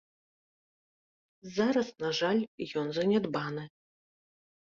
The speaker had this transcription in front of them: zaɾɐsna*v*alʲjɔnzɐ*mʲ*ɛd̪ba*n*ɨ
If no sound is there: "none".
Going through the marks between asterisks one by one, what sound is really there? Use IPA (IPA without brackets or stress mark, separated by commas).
ʐ, nʲ, n